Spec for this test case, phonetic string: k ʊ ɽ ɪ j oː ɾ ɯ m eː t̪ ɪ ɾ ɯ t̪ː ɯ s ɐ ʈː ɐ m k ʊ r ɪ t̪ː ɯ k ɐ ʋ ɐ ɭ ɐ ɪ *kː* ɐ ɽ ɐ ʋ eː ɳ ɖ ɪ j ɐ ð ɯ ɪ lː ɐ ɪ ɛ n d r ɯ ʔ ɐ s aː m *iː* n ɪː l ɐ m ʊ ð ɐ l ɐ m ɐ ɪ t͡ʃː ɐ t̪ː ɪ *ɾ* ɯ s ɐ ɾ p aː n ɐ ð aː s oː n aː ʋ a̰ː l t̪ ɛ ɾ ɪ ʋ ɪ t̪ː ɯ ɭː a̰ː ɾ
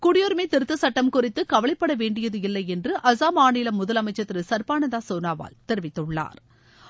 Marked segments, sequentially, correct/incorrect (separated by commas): incorrect, incorrect, correct